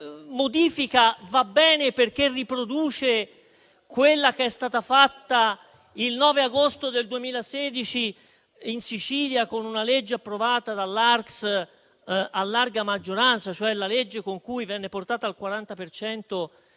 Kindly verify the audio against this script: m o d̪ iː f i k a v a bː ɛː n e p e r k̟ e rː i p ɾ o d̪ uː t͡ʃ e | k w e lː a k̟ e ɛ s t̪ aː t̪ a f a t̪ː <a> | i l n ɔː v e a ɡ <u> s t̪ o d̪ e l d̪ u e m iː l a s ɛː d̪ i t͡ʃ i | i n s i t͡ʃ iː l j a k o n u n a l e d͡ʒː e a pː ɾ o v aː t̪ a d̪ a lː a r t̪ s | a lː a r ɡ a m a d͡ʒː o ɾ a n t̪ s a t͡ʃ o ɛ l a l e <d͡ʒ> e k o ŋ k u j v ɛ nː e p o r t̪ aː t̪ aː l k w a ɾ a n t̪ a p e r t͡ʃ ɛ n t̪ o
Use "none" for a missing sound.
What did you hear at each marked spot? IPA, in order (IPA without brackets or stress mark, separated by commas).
a, o, d͡ʒː